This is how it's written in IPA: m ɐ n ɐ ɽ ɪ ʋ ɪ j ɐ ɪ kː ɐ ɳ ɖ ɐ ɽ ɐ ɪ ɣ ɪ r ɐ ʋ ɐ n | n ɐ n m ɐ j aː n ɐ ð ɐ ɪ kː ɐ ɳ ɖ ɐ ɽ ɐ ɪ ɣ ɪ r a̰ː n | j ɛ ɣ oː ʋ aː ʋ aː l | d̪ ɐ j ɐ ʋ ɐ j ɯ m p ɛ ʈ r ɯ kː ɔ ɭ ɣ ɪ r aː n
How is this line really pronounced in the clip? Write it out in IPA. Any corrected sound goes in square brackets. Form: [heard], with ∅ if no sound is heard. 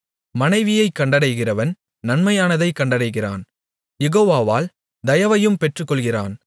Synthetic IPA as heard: m ɐ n ɐ [∅] ɪ ʋ ɪ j ɐ ɪ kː ɐ ɳ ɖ ɐ ɽ ɐ ɪ ɣ ɪ r ɐ ʋ ɐ n | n ɐ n m ɐ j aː n ɐ ð ɐ ɪ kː ɐ ɳ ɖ ɐ ɽ ɐ ɪ ɣ ɪ r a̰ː n | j ɛ ɣ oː ʋ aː ʋ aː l | d̪ ɐ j ɐ ʋ ɐ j ɯ m p ɛ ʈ r ɯ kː ɔ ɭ ɣ ɪ r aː n